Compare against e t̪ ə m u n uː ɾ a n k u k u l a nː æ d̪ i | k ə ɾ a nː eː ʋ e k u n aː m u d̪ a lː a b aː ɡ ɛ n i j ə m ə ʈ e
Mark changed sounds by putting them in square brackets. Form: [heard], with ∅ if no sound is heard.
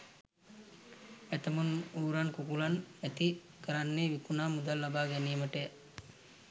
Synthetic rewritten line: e t̪ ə m u n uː ɾ a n k u k u l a [n] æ [t̪] i | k ə ɾ a nː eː ʋ [i] k u n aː m u d̪ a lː a b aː ɡ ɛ n i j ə m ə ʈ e